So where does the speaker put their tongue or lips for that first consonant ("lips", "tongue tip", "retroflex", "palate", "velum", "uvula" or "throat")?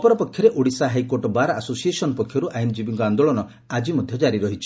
lips